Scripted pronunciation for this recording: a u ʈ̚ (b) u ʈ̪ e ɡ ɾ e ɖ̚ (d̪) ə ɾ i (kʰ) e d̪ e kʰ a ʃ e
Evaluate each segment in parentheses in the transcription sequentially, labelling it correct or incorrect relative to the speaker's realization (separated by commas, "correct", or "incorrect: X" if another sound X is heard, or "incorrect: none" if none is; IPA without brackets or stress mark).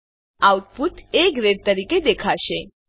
incorrect: p, incorrect: t̪, incorrect: k